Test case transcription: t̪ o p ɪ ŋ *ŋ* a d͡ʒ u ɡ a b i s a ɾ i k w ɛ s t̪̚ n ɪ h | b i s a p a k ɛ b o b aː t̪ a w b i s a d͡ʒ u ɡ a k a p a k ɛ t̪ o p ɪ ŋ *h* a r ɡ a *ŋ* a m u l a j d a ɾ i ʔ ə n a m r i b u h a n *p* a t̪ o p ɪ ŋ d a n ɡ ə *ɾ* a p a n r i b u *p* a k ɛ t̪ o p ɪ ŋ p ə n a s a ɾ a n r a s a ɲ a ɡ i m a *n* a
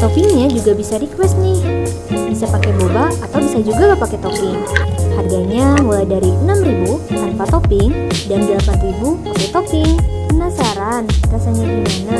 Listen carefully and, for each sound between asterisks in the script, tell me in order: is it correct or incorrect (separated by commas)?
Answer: incorrect, correct, incorrect, correct, incorrect, correct, correct